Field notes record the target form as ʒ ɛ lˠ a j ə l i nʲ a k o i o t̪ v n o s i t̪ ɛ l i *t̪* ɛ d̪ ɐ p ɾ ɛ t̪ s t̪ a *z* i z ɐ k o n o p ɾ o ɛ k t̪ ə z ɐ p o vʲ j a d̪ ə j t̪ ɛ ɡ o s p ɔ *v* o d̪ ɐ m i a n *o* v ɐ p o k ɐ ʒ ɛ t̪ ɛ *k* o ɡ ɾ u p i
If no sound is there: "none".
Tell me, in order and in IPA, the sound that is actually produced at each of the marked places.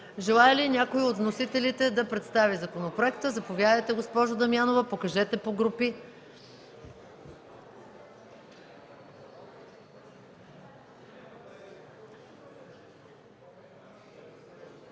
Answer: t̪, v, ʒ, o, p

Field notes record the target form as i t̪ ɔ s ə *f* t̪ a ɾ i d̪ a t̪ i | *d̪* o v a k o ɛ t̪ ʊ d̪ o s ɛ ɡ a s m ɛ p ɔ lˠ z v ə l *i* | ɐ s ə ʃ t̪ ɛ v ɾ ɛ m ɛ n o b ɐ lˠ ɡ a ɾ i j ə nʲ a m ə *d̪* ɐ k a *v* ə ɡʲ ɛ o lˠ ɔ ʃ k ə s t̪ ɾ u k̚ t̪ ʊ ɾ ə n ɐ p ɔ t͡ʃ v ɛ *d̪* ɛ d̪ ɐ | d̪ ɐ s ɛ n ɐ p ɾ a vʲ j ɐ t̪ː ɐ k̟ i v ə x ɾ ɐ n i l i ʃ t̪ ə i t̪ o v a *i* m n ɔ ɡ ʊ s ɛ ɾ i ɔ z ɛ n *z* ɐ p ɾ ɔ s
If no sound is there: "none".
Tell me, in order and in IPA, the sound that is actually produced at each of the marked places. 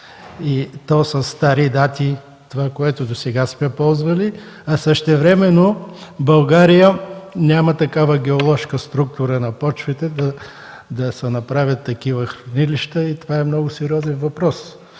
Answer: s, t̪, i, t̪, v, t̪, ɛ, v

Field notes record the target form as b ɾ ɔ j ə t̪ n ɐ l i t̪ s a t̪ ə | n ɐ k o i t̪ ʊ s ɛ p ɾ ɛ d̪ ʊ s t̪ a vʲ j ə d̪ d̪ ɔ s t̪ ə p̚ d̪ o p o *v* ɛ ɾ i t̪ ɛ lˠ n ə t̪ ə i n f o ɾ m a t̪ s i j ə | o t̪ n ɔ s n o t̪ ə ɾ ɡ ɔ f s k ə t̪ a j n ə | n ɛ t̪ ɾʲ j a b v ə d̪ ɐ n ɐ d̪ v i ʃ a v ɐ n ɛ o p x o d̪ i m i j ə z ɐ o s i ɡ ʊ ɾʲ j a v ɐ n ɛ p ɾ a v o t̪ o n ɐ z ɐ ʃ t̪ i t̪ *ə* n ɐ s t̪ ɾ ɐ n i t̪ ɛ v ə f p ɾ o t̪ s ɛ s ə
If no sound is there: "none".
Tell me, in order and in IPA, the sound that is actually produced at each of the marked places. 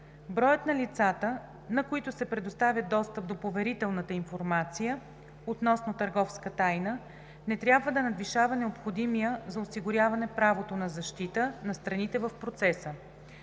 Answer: v, ə

